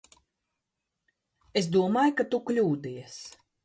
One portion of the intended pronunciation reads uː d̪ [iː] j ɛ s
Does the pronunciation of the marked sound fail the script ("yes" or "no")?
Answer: yes